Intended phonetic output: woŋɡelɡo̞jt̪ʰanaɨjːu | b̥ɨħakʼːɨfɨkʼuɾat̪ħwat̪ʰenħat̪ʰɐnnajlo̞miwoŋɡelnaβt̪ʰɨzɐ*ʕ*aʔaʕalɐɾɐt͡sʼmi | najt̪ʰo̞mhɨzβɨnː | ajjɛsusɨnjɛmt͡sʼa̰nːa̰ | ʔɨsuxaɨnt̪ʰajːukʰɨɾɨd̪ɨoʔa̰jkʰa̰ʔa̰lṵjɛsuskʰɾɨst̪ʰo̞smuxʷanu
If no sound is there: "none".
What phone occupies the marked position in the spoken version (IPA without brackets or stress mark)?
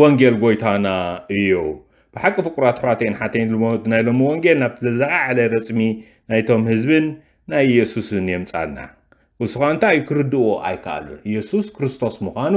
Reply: z